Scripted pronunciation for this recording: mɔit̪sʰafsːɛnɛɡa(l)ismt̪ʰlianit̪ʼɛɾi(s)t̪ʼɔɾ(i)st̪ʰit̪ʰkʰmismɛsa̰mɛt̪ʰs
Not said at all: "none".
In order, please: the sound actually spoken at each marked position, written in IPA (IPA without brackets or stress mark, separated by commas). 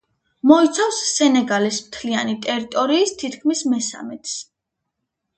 l, none, iː